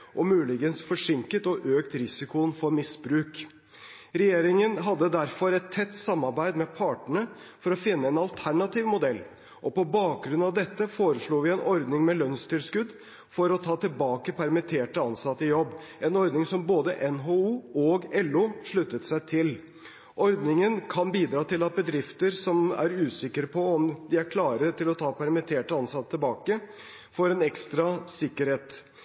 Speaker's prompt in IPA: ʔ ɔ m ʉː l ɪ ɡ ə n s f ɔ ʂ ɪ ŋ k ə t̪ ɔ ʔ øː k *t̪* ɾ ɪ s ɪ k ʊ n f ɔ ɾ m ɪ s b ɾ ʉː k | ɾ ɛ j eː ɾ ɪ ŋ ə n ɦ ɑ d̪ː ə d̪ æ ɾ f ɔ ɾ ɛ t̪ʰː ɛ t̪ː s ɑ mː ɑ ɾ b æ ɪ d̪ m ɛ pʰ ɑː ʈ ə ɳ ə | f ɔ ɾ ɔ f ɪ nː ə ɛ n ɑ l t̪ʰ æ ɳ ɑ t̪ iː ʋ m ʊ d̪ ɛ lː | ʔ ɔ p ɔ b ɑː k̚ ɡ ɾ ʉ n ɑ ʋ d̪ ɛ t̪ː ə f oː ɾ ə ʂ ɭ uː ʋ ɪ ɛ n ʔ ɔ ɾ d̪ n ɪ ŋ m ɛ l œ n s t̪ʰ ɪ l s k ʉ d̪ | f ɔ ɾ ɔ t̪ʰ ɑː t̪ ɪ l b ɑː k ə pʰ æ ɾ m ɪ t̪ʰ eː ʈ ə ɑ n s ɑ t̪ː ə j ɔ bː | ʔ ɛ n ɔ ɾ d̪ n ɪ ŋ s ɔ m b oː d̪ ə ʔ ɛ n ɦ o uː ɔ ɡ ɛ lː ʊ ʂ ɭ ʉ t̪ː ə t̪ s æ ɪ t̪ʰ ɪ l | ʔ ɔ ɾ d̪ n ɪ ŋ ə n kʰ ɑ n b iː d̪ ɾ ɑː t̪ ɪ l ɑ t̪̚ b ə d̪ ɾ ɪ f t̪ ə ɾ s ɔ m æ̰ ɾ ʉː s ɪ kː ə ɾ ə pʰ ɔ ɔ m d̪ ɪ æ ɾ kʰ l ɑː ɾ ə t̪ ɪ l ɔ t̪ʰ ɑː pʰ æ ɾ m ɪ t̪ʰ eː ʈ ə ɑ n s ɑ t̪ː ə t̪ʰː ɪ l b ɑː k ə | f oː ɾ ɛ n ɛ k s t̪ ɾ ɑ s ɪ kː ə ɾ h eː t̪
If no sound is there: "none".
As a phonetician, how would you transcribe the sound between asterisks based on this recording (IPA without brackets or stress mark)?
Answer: t̪